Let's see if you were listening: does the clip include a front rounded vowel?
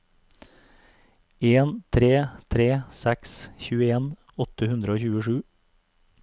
no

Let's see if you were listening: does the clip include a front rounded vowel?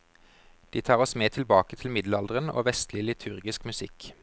no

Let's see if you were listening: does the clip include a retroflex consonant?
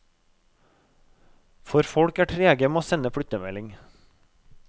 yes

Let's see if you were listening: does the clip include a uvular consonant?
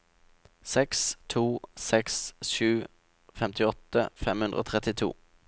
yes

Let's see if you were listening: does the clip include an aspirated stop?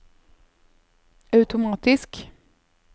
no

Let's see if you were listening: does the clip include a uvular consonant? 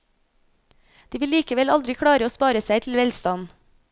no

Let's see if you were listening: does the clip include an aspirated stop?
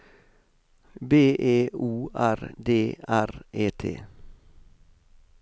yes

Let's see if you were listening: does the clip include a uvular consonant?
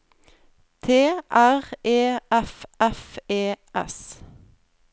yes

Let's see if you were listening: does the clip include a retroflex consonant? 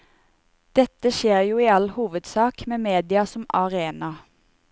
no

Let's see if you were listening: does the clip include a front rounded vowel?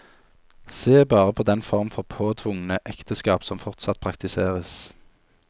no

